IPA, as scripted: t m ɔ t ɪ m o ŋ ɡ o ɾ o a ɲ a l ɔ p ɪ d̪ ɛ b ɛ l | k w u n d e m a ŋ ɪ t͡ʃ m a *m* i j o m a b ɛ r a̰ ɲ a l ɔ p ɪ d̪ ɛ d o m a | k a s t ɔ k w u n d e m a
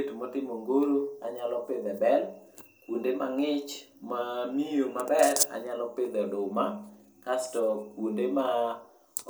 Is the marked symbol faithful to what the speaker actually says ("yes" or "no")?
yes